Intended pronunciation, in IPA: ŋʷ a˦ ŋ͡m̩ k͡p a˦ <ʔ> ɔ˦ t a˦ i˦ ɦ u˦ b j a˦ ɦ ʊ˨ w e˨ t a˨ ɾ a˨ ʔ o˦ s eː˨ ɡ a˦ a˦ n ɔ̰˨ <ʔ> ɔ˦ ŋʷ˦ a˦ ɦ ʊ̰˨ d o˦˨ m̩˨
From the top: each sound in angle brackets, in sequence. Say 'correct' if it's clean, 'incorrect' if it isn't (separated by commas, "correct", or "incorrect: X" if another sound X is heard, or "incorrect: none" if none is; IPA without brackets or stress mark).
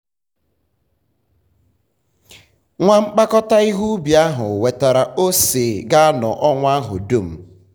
incorrect: k, correct